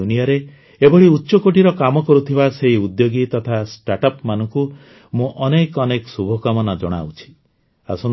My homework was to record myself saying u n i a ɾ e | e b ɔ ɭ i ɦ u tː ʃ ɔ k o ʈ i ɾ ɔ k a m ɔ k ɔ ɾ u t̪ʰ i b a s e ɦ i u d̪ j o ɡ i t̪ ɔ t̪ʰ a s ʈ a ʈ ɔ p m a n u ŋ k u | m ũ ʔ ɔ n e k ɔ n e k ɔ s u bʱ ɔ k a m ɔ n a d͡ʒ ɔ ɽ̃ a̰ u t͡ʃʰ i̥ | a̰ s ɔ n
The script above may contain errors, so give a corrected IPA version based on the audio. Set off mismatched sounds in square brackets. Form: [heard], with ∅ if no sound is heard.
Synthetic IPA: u n i a ɾ e | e b ɔ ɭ i [∅] u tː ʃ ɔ k o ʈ i ɾ ɔ k a m ɔ k ɔ ɾ u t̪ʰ i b a s e ɦ i u d̪ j o ɡ i t̪ ɔ t̪ʰ a s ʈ a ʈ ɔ p m a n [ɔ] ŋ k u | m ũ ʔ ɔ n e k ɔ n e k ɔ s u bʱ ɔ k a m ɔ n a d͡ʒ ɔ ɽ̃ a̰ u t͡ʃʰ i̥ | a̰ s ɔ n

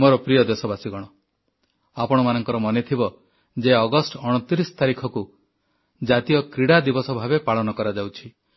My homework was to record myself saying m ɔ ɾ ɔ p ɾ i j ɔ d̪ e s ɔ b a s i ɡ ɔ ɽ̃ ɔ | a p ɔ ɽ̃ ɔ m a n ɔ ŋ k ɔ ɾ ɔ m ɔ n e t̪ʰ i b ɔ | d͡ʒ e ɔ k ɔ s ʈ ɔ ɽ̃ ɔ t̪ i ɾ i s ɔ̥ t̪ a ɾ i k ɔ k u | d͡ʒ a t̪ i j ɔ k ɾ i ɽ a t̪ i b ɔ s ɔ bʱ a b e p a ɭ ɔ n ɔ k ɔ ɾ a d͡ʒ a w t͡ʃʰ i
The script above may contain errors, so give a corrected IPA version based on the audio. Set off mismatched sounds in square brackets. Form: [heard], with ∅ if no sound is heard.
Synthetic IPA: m ɔ ɾ ɔ p ɾ i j ɔ d̪ e s ɔ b a s i ɡ ɔ ɽ̃ ɔ | a p ɔ ɽ̃ ɔ m a n ɔ ŋ k ɔ ɾ ɔ m ɔ n e t̪ʰ i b ɔ | d͡ʒ e ɔ [ɡ] ɔ s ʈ ɔ ɽ̃ ɔ t̪ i ɾ i s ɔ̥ t̪ a ɾ i [kʰ] ɔ k u | d͡ʒ a t̪ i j ɔ k ɾ i ɽ a [d̪] i b ɔ s ɔ bʱ a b e p a ɭ ɔ n ɔ k ɔ ɾ a d͡ʒ a w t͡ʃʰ i

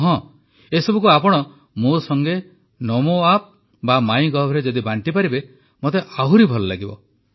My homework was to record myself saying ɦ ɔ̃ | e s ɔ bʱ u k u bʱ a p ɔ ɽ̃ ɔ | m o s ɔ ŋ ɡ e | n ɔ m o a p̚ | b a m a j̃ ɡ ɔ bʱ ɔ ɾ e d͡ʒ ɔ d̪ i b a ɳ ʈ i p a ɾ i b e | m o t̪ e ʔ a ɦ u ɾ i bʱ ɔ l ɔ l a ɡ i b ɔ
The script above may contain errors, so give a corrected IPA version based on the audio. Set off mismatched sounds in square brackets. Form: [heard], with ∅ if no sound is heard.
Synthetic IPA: ɦ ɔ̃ | e s ɔ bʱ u k u [∅] a p ɔ ɽ̃ ɔ | m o s ɔ ŋ ɡ e | n ɔ m o a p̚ | b a m a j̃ ɡ ɔ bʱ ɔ ɾ e d͡ʒ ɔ d̪ i b a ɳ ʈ i p a ɾ i b e | m o t̪ e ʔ a ɦ u ɾ i bʱ ɔ l ɔ l a ɡ i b ɔ

